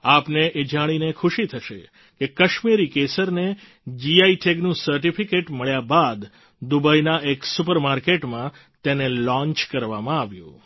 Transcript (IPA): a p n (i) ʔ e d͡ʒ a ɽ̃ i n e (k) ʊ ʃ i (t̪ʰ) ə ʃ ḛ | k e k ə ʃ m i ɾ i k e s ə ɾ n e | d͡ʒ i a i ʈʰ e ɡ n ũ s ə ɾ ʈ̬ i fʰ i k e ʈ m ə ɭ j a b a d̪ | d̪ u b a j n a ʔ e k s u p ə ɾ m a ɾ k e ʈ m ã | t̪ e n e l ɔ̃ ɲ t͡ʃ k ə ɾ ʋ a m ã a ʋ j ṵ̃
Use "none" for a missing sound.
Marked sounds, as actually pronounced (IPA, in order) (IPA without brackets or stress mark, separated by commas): e, kʰ, t̪ʰ